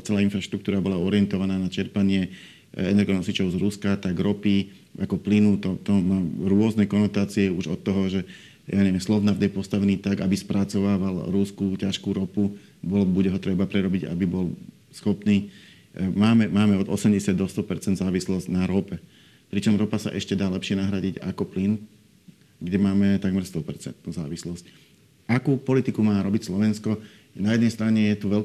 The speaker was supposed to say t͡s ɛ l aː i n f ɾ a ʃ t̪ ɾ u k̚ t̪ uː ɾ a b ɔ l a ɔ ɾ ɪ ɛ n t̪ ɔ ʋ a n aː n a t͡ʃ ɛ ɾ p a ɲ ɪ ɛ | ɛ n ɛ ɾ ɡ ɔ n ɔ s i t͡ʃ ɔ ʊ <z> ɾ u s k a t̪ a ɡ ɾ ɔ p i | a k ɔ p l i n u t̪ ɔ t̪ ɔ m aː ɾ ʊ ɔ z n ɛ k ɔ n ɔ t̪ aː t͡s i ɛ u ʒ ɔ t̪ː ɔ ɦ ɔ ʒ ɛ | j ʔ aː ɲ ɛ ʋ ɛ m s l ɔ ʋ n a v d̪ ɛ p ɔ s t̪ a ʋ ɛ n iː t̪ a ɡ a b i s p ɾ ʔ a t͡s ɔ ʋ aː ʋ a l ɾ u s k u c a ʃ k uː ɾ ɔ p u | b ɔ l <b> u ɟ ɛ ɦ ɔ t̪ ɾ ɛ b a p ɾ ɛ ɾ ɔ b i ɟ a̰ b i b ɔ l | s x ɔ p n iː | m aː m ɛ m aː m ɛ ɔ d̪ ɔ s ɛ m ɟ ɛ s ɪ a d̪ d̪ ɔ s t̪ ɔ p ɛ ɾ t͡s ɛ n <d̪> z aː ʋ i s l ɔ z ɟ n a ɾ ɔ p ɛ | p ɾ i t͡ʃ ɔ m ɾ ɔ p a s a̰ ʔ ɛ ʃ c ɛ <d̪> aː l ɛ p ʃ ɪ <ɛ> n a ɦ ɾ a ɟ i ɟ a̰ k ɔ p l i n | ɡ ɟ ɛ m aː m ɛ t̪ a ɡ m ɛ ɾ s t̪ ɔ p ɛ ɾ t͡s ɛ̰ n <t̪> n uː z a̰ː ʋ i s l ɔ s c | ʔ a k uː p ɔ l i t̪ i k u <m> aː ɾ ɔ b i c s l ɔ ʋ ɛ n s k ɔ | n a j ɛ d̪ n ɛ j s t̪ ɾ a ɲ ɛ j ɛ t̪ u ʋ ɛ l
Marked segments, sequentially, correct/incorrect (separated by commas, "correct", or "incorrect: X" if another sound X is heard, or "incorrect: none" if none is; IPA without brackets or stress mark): correct, correct, correct, correct, correct, correct, correct